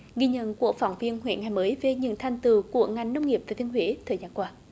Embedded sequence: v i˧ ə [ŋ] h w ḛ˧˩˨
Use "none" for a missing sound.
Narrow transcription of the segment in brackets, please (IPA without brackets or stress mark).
n